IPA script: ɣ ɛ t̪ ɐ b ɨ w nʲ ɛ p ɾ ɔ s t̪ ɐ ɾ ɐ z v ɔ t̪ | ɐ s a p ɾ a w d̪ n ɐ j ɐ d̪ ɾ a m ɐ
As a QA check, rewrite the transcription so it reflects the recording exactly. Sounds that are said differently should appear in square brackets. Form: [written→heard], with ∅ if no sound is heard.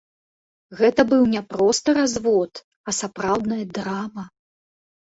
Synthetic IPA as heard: ɣ ɛ t̪ ɐ b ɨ w nʲ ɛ p ɾ ɔ s t̪ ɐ ɾ [ɐ→a] z v ɔ t̪ | ɐ s a p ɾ a w d̪ n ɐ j ɐ d̪ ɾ a m ɐ